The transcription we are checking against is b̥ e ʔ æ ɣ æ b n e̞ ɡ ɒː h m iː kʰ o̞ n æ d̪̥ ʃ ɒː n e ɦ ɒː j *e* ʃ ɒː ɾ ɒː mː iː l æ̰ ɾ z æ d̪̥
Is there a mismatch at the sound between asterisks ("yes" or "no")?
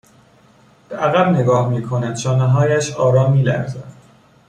yes